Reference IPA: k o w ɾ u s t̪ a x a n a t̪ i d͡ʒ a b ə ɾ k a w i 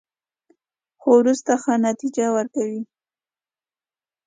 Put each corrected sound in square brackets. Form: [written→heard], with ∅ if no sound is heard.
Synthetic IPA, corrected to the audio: [k→x] o w ɾ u s t̪ a x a n a t̪ i d͡ʒ a [b→w] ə ɾ k a w i